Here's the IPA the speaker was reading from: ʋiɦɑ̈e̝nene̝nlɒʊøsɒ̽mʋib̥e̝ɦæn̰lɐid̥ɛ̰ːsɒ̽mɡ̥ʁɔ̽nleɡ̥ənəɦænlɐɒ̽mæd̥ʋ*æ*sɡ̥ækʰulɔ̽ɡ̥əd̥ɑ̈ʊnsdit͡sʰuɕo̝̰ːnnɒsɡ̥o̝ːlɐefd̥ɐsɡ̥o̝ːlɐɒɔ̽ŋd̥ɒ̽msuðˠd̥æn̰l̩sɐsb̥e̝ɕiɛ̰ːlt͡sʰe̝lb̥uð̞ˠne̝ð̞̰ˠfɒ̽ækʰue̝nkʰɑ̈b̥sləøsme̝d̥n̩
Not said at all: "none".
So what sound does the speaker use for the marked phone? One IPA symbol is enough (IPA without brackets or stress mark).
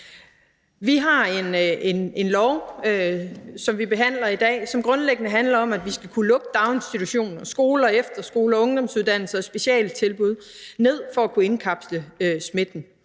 i